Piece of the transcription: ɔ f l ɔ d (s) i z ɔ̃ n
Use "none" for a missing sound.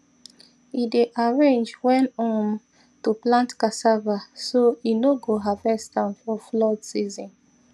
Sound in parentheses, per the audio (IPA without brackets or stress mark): s